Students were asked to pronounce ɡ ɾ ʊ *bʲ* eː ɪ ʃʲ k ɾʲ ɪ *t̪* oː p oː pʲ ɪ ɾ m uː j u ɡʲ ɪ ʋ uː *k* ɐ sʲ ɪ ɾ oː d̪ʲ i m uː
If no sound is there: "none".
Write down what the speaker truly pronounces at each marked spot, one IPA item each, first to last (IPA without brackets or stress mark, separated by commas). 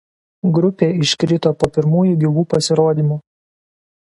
pʲ, t̪, p